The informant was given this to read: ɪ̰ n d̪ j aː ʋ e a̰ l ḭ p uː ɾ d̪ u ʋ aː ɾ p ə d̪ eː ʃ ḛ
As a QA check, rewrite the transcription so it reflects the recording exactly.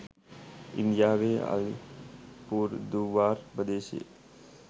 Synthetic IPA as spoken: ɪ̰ n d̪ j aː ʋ e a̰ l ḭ p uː ɾ d̪ u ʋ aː ɾ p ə d̪ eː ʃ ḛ

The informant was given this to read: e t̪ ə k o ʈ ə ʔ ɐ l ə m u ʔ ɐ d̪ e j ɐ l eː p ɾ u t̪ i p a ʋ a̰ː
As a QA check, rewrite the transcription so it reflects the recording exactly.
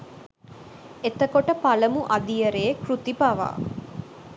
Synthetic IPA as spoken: e t̪ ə k o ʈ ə p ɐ l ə m u ʔ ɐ d̪ i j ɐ ɾ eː k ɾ u t̪ i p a ʋ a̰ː

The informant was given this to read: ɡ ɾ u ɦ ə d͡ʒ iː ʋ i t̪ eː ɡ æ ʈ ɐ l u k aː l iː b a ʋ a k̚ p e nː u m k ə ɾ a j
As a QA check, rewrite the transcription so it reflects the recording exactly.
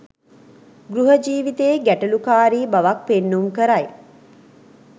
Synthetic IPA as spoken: ɡ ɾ u ɦ ə d͡ʒ iː ʋ i t̪ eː ɡ æ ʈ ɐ l u k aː ɾ iː b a ʋ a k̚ p e nː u m k ə ɾ a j

